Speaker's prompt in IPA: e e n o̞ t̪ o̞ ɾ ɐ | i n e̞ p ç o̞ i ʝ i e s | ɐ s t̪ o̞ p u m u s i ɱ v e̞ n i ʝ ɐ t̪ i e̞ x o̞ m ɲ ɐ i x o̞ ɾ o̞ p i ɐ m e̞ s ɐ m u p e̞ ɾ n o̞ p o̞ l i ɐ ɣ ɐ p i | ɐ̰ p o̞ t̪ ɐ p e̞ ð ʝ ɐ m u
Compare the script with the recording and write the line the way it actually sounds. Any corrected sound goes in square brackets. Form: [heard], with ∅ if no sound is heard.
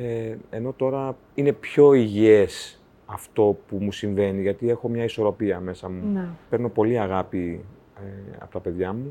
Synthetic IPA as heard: e e n o̞ t̪ o̞ ɾ ɐ | i n e̞ p ç o̞ i ʝ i e s | ɐ [f] t̪ o̞ p u m u s i ɱ v e̞ n i ʝ ɐ t̪ i e̞ x o̞ m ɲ ɐ i [s] o̞ ɾ o̞ p i ɐ m e̞ s ɐ m u p e̞ ɾ n o̞ p o̞ l i ɐ ɣ ɐ p i | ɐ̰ p o̞ t̪ ɐ p e̞ ð ʝ ɐ m u